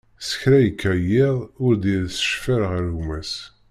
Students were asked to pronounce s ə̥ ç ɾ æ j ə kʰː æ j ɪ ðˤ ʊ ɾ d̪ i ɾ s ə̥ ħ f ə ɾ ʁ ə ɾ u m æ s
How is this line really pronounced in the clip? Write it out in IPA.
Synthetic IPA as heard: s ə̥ ç ɾ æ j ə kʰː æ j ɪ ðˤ ʊ ɾ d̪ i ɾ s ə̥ ʃ f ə ɾ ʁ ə ɾ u m æ s